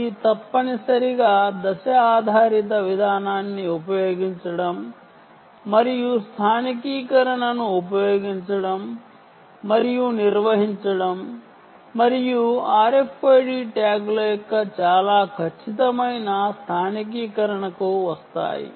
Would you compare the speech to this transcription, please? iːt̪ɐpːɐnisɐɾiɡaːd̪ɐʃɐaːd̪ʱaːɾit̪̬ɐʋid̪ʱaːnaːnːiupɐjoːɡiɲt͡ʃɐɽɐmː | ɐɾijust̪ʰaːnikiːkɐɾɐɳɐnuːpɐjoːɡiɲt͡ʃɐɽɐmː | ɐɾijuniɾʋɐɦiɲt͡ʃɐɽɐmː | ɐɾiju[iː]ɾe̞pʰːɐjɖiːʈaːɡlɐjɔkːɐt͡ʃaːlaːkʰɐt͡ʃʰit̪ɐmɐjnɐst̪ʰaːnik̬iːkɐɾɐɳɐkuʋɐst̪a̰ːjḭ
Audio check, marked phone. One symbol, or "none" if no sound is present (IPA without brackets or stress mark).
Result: aː